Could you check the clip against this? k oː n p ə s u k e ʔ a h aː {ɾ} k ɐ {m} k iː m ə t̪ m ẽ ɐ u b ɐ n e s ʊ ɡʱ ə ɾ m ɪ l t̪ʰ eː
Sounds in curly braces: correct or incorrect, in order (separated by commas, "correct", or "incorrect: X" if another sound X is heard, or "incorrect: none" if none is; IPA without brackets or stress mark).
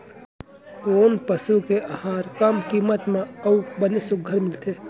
correct, correct